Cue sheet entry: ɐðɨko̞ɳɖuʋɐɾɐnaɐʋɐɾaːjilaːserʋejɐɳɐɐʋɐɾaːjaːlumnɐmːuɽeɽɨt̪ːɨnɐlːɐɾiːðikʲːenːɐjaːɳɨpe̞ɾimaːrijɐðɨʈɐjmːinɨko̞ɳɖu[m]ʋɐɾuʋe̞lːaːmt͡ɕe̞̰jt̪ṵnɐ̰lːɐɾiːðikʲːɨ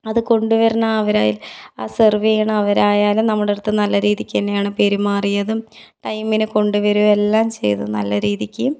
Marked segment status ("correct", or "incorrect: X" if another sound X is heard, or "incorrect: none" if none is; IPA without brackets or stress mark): incorrect: none